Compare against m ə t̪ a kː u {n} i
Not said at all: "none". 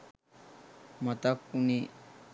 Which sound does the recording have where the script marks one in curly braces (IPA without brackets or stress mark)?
n